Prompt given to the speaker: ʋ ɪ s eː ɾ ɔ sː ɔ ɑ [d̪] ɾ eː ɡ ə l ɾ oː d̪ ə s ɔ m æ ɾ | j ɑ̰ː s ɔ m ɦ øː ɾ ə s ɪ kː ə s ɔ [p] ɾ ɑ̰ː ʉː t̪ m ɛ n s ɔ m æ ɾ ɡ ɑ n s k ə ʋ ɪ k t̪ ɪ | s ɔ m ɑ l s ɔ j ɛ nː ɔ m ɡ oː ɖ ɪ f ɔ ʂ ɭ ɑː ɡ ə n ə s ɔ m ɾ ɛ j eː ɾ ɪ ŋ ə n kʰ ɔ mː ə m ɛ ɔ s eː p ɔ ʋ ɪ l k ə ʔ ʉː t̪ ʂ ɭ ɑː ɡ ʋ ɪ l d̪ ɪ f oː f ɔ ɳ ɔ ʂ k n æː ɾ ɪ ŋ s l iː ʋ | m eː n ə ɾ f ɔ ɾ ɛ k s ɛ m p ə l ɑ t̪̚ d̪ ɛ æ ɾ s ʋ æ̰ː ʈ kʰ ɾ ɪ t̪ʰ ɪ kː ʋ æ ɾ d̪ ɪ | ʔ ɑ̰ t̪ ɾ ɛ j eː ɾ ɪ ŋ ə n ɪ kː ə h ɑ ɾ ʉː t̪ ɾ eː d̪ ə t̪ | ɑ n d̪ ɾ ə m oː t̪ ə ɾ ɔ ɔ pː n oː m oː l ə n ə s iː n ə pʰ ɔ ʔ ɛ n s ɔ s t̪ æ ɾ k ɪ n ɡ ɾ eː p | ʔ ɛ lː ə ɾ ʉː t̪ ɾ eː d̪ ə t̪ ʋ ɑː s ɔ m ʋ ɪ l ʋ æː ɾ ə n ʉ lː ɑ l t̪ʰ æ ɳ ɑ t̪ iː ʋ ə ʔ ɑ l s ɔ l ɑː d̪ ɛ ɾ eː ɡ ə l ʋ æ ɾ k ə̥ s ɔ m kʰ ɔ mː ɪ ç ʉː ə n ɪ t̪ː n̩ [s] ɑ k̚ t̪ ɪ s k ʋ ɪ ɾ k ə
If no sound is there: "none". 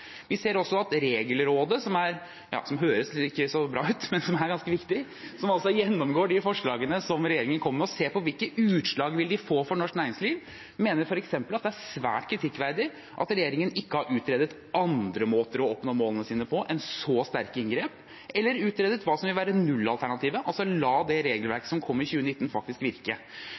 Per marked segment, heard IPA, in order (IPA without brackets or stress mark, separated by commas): t̪, b, f